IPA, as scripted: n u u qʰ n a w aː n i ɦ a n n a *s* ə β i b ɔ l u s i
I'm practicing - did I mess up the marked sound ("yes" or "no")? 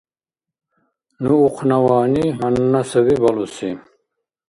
no